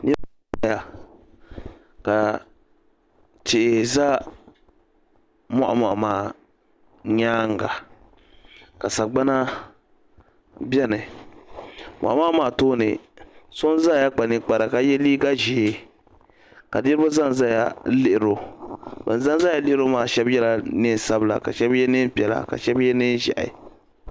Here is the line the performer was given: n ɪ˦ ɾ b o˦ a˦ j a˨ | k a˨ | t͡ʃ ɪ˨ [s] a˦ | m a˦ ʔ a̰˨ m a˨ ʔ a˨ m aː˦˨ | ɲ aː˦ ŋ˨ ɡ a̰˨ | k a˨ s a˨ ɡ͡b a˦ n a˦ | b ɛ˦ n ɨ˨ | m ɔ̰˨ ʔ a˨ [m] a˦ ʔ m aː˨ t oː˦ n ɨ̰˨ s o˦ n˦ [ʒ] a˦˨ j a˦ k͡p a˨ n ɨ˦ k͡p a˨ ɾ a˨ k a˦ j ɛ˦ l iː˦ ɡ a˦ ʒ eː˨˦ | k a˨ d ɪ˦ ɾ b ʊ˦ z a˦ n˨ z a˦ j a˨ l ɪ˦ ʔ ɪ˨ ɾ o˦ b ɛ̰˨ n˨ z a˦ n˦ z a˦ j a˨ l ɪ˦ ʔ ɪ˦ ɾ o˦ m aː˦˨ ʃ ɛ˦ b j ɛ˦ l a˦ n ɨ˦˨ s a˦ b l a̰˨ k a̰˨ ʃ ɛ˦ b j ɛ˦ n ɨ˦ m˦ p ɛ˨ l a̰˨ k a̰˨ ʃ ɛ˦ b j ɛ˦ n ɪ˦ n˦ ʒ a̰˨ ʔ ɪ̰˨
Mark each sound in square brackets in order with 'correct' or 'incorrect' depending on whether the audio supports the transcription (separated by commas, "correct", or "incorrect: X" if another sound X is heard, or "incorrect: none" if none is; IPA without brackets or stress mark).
incorrect: z, correct, incorrect: z